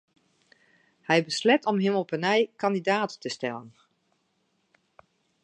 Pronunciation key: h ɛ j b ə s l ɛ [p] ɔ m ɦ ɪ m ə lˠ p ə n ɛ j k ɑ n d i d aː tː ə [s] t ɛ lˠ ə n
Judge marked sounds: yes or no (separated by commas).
no, yes